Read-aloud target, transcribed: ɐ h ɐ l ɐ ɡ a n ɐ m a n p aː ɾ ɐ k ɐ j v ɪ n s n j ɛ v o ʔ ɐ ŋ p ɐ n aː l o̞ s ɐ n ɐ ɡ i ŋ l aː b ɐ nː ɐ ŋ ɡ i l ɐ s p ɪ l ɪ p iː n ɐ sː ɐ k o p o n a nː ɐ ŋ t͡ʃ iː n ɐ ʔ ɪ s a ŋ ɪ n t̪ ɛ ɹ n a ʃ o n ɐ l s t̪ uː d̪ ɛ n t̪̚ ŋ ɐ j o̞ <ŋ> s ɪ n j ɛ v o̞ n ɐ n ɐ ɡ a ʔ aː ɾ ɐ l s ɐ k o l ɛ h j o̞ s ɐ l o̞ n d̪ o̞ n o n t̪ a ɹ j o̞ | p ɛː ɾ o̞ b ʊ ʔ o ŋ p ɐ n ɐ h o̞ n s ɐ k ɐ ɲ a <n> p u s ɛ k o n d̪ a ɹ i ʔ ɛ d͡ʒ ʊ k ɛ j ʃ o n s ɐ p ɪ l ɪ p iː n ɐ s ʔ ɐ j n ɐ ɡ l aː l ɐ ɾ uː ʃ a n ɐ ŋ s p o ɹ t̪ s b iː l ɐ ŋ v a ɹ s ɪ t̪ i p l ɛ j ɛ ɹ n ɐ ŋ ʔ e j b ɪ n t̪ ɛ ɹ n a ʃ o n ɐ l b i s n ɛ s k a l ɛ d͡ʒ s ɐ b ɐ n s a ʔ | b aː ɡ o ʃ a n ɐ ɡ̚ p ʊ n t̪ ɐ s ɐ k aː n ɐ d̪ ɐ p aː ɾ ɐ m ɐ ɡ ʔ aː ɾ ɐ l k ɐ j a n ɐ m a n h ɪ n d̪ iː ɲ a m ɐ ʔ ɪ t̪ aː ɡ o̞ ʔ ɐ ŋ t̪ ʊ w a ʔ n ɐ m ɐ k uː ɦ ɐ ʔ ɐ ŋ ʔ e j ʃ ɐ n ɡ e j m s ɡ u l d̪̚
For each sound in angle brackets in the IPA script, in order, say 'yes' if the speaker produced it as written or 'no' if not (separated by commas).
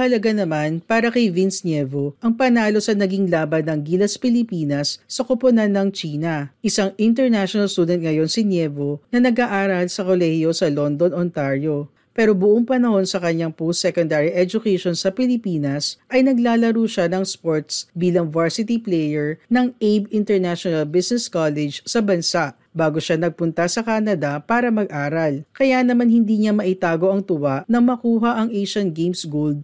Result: no, no